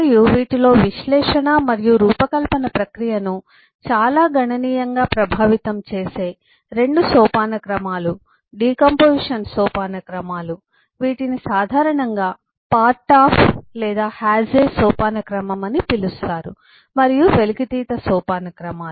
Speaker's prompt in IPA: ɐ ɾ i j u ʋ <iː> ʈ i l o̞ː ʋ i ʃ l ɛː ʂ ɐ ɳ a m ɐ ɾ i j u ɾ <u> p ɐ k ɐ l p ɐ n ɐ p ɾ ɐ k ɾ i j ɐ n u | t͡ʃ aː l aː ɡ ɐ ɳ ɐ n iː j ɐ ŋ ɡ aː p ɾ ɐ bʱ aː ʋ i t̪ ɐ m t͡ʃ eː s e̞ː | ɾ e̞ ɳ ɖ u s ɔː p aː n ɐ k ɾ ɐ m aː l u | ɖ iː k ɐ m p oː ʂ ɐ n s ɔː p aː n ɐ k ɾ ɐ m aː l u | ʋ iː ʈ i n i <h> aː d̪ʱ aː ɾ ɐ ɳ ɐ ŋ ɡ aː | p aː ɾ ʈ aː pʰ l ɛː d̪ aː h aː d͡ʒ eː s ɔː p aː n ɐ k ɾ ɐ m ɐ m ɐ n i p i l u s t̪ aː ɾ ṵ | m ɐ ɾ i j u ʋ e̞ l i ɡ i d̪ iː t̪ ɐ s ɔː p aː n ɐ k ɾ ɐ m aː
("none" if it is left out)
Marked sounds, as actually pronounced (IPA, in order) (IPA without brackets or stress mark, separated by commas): iː, uː, s